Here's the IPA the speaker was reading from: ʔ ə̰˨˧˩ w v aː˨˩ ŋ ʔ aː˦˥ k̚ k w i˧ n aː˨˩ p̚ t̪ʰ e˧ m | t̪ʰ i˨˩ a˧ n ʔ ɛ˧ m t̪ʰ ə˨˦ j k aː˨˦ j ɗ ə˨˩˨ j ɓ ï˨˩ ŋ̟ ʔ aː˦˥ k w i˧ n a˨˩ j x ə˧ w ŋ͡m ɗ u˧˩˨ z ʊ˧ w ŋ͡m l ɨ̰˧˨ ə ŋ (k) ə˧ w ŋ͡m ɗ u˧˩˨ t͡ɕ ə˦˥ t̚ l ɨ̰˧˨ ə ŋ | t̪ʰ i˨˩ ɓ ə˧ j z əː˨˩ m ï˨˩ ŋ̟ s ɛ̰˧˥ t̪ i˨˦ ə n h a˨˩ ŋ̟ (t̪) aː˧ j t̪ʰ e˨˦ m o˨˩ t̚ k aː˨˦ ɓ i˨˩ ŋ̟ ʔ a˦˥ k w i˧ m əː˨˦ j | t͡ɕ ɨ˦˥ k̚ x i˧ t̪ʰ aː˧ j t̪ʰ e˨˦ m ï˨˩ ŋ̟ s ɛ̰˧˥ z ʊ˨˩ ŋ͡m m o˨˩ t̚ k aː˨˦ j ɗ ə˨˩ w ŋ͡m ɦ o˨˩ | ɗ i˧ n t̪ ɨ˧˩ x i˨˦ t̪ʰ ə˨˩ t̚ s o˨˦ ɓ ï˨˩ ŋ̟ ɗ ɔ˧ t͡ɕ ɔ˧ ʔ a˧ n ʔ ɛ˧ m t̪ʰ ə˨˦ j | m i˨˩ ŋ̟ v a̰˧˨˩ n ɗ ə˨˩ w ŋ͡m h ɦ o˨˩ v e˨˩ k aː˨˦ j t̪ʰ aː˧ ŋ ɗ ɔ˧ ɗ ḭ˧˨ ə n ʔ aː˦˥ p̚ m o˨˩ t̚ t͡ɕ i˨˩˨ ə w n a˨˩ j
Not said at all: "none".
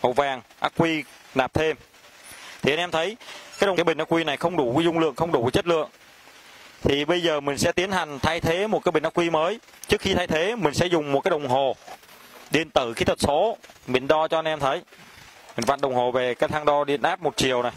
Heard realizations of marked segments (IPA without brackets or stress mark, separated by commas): x, t̪ʰ